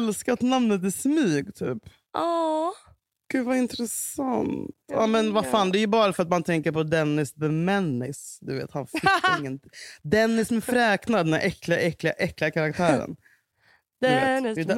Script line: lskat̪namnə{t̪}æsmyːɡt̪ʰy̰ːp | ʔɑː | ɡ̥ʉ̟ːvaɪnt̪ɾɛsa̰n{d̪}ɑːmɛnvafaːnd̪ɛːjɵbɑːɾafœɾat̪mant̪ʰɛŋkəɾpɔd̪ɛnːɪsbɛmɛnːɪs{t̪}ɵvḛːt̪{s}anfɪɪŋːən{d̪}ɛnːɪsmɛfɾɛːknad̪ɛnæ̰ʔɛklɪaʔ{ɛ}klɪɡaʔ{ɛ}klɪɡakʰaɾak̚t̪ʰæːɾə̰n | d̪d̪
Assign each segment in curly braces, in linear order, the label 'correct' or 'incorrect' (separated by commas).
correct, incorrect, incorrect, incorrect, correct, correct, correct